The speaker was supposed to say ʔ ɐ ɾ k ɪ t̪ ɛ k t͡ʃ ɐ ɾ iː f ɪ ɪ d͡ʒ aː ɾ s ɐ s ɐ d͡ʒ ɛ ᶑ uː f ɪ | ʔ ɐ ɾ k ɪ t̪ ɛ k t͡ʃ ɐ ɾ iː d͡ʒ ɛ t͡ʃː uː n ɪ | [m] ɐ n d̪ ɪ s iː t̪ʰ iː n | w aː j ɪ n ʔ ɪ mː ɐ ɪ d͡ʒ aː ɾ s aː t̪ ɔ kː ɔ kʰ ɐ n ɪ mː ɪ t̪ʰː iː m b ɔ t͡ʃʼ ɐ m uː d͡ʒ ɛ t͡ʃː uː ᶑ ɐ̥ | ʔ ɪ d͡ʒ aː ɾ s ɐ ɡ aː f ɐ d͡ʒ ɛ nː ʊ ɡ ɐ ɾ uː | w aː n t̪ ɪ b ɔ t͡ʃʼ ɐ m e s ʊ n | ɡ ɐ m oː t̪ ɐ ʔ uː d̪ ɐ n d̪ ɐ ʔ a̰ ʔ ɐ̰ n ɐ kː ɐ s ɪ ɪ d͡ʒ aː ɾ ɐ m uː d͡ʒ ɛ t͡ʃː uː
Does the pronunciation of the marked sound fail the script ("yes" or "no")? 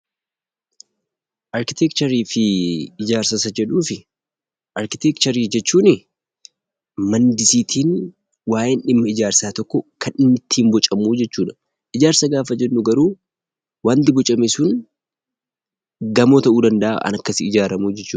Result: no